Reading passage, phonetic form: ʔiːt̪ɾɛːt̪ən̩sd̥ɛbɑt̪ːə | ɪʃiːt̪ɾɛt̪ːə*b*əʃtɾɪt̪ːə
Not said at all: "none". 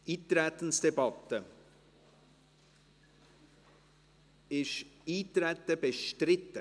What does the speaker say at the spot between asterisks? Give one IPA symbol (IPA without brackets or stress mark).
b